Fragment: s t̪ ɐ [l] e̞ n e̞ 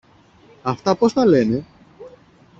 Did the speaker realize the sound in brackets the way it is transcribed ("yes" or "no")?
yes